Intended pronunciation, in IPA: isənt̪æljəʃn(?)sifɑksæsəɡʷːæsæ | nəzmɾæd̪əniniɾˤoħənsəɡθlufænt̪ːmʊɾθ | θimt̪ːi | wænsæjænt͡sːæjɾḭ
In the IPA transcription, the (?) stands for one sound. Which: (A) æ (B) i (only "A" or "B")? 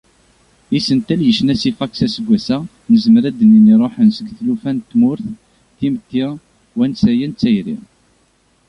A